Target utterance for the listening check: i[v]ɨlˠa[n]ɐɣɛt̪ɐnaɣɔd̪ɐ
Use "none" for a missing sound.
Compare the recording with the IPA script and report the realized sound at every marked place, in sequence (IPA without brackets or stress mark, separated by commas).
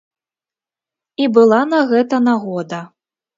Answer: b, n